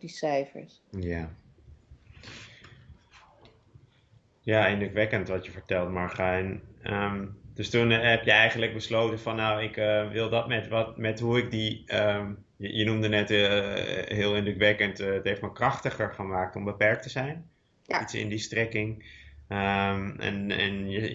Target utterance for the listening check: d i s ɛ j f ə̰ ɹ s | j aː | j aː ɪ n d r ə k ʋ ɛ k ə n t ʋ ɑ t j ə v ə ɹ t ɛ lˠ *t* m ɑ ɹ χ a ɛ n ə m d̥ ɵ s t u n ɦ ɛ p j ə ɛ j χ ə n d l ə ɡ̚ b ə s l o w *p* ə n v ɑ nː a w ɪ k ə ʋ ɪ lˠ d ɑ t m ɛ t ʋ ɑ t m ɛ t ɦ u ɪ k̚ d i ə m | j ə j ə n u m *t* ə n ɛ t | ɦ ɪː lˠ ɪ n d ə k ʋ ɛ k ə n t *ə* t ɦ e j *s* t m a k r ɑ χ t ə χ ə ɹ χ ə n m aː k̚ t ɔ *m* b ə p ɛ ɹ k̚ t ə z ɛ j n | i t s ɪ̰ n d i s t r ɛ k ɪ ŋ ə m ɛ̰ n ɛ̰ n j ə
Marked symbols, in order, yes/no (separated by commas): yes, no, no, yes, no, yes